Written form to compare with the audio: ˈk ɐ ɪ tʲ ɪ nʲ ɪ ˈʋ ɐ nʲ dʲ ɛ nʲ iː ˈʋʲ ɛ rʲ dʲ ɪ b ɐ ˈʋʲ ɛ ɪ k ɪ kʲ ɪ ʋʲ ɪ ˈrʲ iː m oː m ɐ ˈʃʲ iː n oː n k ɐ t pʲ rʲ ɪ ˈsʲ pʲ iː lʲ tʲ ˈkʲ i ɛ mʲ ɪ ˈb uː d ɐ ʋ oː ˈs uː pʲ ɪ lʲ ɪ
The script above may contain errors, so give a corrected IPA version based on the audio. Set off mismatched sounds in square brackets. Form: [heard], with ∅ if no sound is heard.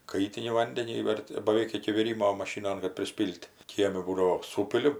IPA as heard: ˈk ɐ ɪ tʲ ɪ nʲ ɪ ˈʋ ɐ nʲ dʲ ɛ nʲ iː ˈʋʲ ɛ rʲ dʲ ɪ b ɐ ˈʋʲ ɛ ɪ k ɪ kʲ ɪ ʋʲ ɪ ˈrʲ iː m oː m ɐ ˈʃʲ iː n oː n k ɐ t pʲ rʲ ɪ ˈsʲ pʲ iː lʲ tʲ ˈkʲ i ɛ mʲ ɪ ˈb uː d ɐ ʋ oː ˈs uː pʲ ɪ lʲ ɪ